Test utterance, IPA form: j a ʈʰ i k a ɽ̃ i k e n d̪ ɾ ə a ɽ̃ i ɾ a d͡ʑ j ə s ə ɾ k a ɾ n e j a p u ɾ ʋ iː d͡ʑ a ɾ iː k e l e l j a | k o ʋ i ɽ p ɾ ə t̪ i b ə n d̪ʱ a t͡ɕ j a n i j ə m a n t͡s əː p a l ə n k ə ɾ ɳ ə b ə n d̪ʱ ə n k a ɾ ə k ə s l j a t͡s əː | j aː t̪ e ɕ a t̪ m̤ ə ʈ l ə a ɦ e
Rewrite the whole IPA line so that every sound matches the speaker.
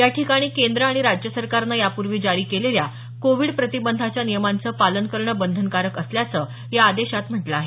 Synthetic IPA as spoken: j a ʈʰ i k a ɽ̃ iː k e n d̪ ɾ ə a ɽ̃ i ɾ a d͡ʑ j ə s ə ɾ k a ɾ n a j a p u ɾ ʋ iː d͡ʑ a ɾ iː k e l e l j a | k o ʋ i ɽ p ɾ ə t̪ i b ə n d̪ʱ a t͡ɕ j a n i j ə m a n t͡s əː p a l ə n k ə ɾ ɳ ə b ə n d̪ʱ ə n k a ɾ ə k ə s l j a t͡s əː | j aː d̪ e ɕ a t̪ m̤ ə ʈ l ə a ɦ e